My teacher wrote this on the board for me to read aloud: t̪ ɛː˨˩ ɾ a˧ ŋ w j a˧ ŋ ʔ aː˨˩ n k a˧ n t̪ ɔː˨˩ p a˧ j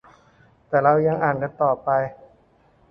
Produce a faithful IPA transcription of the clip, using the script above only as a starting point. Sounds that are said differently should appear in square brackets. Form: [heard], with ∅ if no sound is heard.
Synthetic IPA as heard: t̪ ɛː˨˩ ɾ a˧ [∅] w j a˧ ŋ ʔ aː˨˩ n k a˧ n t̪ ɔː˨˩ p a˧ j